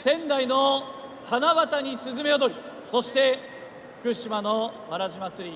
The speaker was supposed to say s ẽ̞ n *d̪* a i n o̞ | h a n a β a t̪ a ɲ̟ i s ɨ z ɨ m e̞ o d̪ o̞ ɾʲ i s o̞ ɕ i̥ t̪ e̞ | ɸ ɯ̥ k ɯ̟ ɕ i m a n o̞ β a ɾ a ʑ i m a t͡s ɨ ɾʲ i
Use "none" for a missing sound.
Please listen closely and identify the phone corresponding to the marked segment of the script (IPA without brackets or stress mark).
d̪